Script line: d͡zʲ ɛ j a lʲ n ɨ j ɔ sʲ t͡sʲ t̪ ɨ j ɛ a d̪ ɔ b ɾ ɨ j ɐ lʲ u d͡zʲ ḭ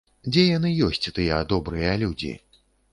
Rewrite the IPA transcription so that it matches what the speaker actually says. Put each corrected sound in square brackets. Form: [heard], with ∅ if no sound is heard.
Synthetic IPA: d͡zʲ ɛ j a [∅] n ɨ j ɔ sʲ t͡sʲ t̪ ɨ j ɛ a d̪ ɔ b ɾ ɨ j ɐ lʲ u d͡zʲ ḭ